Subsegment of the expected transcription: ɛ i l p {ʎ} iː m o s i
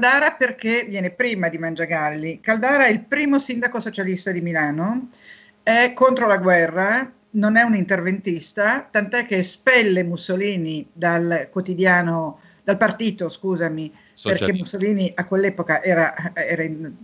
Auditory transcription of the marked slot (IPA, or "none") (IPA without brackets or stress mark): ɾ